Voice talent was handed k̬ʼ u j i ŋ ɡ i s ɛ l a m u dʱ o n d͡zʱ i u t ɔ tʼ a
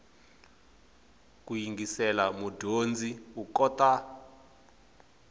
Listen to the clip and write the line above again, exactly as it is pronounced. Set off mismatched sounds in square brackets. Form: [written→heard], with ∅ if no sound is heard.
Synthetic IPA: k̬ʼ u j i ŋ ɡ i s ɛ l a m u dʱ o n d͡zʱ i u [t→k] ɔ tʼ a